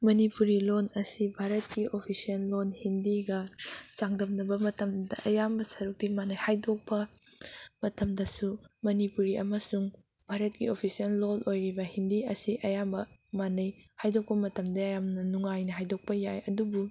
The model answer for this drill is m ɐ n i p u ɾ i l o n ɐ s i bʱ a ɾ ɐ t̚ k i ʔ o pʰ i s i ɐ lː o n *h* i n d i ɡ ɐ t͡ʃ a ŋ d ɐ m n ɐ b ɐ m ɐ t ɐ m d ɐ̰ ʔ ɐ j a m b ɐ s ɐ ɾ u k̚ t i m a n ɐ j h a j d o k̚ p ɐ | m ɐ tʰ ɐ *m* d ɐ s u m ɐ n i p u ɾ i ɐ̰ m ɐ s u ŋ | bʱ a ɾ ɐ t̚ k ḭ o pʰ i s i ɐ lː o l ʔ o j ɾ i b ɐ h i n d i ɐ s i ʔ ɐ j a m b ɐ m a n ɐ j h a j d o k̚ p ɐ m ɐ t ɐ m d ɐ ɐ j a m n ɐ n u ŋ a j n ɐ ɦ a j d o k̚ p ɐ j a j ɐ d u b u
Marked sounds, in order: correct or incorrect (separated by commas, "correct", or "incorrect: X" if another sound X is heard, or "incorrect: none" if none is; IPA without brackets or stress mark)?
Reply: correct, correct